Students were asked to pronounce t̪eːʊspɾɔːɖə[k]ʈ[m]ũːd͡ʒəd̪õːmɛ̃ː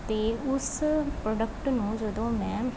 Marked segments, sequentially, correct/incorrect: correct, incorrect: n

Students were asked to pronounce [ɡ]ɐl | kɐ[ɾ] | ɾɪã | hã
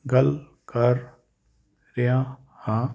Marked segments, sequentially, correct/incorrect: correct, correct

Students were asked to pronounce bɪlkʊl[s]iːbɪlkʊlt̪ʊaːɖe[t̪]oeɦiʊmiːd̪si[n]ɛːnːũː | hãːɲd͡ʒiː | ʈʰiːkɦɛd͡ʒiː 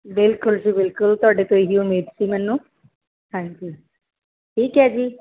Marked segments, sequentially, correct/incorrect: correct, correct, incorrect: m

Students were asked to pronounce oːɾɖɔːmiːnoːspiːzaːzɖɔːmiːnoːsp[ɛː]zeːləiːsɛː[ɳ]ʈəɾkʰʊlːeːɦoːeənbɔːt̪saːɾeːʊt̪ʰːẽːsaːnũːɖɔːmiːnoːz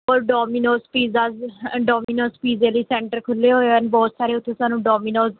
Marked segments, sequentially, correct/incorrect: incorrect: iː, correct

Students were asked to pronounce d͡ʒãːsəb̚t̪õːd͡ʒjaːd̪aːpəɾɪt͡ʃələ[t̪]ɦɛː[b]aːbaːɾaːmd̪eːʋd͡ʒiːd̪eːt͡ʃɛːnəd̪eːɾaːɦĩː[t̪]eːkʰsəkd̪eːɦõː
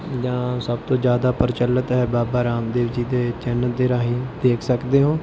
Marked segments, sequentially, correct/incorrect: correct, correct, incorrect: d̪

